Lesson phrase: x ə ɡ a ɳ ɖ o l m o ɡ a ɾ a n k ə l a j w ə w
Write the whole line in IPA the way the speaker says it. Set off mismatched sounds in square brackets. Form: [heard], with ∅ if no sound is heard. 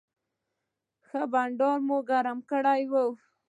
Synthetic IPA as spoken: x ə [b] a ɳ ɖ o [ɾ] m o ɡ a ɾ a [m] k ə [ɽ] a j w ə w